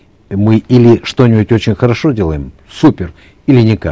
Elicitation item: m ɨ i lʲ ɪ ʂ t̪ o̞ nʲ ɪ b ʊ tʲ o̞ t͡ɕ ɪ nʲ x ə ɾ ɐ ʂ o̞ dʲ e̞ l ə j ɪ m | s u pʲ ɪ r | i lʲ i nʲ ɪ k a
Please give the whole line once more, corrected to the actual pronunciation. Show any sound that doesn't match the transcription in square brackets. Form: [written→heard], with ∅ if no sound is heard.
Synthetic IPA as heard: m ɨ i lʲ ɪ ʂ t̪ o̞ nʲ ɪ b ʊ tʲ o̞ t͡ɕ ɪ nʲ x ə ɾ ɐ ʂ o̞ dʲ e̞ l ə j ɪ m | s u pʲ ɪ r | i lʲ [i→ɪ] nʲ ɪ k a